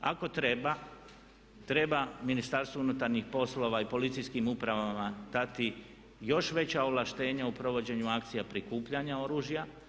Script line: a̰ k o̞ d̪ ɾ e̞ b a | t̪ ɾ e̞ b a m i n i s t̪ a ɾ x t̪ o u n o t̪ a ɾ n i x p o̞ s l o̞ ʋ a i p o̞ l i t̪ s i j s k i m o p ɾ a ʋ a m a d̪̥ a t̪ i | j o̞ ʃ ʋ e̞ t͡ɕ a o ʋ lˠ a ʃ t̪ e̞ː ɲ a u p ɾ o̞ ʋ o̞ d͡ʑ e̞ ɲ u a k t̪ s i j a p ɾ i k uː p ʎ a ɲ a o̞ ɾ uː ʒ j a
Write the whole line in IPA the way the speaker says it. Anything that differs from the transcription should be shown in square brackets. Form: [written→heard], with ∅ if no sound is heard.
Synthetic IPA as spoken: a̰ k o̞ [d̪→t̪] ɾ e̞ b a | t̪ ɾ e̞ b a m i n i s t̪ a ɾ [x→s] t̪ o u n [o→u] t̪ a ɾ [n→ɲ] i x p o̞ s l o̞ ʋ a i p o̞ l i t̪ s i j s k i m [o→u] p ɾ a ʋ a m a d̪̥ a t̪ i | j o̞ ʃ ʋ e̞ t͡ɕ a o ʋ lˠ a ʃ t̪ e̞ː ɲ a u p ɾ o̞ ʋ o̞ d͡ʑ e̞ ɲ u a k t̪ s i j a p ɾ i k uː p ʎ a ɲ a o̞ ɾ uː ʒ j a